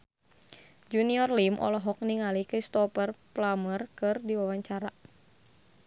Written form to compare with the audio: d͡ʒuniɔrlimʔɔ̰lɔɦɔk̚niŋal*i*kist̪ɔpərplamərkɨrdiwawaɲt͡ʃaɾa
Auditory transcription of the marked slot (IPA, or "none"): i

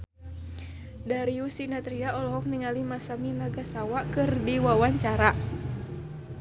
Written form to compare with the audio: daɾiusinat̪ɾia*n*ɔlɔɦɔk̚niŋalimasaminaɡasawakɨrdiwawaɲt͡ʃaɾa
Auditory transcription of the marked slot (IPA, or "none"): none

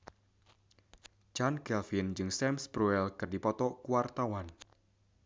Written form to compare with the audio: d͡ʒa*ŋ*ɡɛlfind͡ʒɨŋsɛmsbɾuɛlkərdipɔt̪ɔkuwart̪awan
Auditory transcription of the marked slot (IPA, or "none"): n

